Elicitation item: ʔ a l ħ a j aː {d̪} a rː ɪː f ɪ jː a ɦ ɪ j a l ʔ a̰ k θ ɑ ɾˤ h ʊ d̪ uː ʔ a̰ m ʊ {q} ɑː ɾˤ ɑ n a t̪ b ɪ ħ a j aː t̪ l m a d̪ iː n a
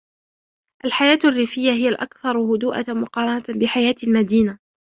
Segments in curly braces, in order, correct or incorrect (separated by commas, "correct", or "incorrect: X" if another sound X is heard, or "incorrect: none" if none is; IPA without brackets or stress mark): incorrect: t̪, correct